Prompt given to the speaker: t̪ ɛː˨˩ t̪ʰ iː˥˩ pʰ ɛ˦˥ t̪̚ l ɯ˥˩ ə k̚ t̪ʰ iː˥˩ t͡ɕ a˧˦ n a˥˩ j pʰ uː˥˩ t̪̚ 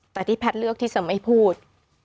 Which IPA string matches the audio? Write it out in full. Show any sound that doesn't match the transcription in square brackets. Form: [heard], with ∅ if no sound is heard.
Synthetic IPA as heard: t̪ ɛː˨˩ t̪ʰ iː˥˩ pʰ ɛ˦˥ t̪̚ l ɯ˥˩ ə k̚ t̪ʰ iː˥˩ t͡ɕ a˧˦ [m] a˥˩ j pʰ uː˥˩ t̪̚